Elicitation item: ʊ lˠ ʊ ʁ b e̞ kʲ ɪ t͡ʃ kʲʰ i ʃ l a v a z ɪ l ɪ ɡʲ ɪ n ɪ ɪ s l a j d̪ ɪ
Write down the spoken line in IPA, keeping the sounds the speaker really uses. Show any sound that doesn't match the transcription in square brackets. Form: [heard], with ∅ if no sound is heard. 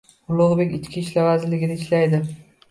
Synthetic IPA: ʊ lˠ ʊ ʁ b e̞ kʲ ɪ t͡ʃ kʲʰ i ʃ l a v a z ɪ l ɪ ɡʲ ɪ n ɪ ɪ [ʃ] l a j d̪ ɪ